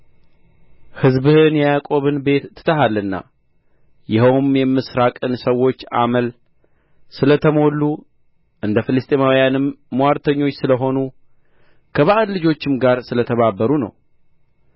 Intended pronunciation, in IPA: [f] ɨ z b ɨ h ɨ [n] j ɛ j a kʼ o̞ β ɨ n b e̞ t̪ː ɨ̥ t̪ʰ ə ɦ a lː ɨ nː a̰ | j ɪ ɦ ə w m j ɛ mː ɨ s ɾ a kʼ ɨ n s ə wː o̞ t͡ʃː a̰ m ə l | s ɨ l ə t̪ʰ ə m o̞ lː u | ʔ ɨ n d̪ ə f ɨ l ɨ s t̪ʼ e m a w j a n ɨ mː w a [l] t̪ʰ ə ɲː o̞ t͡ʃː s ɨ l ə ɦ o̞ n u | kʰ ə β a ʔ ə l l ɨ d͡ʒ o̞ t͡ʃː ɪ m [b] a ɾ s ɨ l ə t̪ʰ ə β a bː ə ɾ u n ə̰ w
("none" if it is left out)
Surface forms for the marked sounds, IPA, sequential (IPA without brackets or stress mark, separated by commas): h, n, ɾ, ɡ